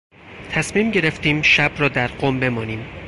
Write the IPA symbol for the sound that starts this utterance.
t̪ʰ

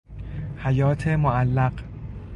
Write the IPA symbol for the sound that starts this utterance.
h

